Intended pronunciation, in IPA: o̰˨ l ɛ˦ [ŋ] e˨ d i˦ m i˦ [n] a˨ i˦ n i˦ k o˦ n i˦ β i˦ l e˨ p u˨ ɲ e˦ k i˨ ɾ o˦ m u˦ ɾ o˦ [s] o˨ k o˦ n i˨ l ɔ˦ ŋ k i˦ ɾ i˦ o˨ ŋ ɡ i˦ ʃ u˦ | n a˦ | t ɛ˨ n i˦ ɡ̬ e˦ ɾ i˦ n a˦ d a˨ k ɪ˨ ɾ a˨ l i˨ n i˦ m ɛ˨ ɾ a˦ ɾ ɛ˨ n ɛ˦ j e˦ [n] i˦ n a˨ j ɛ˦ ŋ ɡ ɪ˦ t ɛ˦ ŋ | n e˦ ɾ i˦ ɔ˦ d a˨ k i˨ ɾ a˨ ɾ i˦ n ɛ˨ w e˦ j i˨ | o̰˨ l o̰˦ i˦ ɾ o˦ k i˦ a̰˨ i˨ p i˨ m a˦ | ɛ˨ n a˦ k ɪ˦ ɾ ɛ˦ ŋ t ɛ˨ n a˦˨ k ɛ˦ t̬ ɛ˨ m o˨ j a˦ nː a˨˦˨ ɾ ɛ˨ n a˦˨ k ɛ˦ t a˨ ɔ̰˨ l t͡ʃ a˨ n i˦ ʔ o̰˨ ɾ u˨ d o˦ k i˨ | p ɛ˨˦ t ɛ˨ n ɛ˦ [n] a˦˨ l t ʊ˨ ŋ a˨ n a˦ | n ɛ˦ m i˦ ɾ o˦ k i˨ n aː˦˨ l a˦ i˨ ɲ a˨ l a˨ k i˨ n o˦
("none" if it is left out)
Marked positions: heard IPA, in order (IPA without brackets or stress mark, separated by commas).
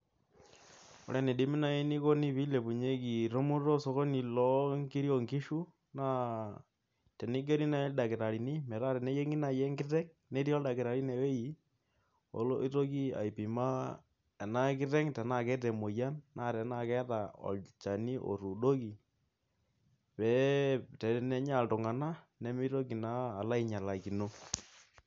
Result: n, n, s, ŋ, ɲ